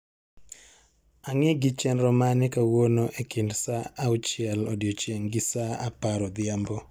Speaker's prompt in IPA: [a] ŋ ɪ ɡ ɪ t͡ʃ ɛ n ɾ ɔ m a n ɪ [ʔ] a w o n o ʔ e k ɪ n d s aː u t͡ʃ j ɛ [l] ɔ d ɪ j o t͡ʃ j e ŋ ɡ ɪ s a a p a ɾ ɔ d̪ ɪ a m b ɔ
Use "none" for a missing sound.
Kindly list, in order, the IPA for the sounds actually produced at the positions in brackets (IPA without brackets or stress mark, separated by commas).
a, k, l